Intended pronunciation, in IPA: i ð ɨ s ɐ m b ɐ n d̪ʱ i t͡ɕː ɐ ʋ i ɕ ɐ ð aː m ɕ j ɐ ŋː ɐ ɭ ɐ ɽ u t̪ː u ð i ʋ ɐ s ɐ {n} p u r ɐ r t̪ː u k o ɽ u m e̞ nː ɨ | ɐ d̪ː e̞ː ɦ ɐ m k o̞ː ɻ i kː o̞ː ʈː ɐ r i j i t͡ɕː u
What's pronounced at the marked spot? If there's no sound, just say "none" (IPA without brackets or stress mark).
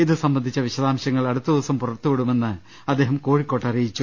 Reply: m